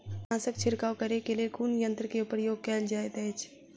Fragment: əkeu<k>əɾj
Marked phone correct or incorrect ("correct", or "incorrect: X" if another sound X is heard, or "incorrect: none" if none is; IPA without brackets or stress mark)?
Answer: incorrect: p